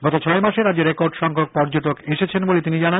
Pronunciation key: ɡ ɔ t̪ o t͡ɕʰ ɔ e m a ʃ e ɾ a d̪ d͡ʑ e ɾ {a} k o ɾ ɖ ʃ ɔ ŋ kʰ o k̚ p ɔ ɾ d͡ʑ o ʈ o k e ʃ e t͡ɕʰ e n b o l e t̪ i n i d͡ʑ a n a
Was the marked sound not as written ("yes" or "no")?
yes